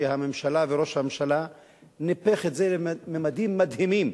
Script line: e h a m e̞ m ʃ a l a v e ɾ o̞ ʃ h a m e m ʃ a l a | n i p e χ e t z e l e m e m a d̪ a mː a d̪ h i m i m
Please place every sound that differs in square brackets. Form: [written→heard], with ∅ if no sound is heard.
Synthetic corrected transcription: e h a m e̞ m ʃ a l a v e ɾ o̞ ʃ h a m e m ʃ a l a | n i p e χ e t z e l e m e m a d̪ [a→i] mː a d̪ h i m i m